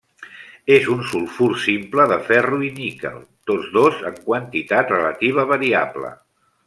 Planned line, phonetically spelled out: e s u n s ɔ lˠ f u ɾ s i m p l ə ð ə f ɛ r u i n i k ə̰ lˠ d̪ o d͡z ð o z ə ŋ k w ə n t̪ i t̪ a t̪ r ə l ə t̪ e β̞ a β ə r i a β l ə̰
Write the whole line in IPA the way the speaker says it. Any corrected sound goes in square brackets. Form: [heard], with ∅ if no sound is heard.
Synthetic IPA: e [z] u n s [u] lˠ f u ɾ s i m p l ə ð ə f ɛ r u i n i k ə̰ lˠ [t̪] o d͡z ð o z ə ŋ k w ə n t̪ i t̪ a t̪ r ə l ə t̪ [i] β̞ [ə] β ə [ɾ] i a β l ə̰